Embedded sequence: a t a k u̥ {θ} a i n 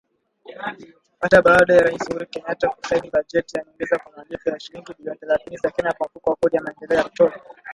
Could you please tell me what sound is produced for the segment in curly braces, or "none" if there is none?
s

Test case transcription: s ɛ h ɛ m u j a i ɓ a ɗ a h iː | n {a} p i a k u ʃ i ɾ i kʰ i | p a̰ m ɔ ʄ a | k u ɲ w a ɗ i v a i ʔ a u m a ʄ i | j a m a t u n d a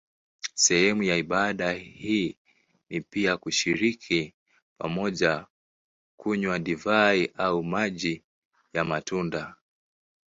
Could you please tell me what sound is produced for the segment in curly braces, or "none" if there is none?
i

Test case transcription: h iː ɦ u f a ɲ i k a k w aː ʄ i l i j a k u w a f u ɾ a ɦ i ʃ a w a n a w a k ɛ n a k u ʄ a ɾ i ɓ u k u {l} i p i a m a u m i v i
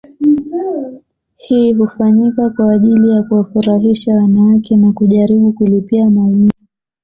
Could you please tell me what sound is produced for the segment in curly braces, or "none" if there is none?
l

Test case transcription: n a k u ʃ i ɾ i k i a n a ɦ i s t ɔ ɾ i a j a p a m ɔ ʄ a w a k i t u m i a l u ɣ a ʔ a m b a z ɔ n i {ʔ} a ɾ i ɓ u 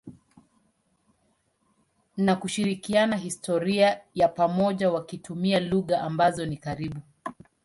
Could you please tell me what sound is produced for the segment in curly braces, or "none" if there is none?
k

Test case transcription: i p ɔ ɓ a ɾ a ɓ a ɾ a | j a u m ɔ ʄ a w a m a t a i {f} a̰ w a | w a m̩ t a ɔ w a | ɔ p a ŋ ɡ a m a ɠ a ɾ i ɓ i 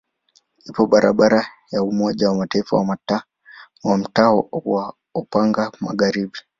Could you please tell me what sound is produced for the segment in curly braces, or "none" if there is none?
f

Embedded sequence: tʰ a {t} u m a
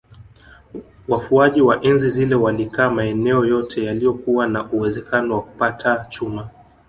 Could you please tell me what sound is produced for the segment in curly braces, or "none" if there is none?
t͡ʃ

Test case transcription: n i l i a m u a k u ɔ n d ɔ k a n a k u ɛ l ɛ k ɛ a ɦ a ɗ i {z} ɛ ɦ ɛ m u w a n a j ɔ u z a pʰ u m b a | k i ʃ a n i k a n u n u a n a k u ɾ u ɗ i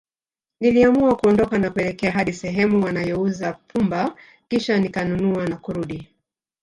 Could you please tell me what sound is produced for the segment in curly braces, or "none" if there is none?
s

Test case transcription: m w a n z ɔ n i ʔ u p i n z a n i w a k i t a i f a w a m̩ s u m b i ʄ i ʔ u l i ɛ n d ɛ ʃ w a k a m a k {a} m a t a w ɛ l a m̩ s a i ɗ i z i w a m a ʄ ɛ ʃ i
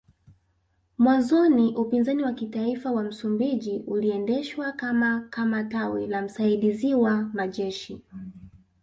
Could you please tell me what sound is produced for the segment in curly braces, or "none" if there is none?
a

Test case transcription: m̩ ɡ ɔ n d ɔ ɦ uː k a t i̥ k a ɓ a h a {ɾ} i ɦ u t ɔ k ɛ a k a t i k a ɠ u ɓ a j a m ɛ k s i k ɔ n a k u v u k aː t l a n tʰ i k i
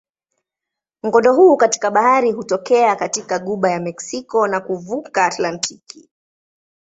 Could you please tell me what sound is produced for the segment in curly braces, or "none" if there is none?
ɾ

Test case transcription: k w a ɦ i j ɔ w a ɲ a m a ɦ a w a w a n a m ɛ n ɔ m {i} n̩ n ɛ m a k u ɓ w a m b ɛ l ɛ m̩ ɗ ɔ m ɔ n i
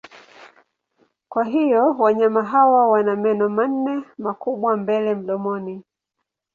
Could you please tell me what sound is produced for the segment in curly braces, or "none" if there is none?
a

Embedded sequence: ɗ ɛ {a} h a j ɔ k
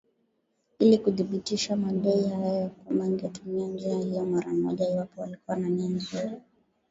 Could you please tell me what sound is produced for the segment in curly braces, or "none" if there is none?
i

